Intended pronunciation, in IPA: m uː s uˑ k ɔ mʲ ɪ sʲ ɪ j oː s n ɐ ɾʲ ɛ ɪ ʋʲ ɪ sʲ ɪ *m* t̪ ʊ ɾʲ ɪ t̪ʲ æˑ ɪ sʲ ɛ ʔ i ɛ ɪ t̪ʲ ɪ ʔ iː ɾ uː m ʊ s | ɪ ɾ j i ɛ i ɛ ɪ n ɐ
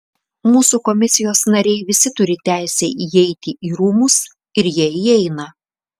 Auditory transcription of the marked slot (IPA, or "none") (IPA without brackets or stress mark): none